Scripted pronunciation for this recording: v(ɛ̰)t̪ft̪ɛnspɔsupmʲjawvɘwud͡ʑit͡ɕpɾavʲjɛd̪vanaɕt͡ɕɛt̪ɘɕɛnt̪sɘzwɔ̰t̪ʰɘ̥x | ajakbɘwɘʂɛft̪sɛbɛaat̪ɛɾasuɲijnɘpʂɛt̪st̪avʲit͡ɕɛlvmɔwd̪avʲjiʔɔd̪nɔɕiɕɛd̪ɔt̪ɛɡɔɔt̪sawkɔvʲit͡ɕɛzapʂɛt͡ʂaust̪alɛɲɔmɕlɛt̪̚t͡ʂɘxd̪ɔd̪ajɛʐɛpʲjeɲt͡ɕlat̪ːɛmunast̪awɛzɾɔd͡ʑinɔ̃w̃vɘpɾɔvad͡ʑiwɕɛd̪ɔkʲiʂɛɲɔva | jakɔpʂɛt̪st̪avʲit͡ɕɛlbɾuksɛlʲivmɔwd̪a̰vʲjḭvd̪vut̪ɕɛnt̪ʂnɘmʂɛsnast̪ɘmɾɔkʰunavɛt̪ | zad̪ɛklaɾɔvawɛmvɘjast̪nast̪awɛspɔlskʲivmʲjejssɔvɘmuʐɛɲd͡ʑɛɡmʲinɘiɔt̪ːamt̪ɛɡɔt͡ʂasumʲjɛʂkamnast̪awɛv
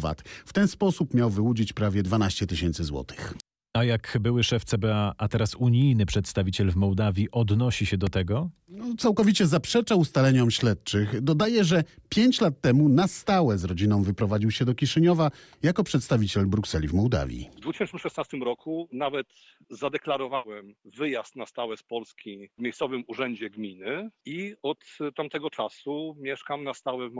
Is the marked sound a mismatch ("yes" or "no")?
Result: yes